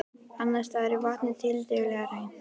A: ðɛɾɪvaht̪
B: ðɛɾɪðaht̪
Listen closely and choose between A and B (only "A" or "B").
A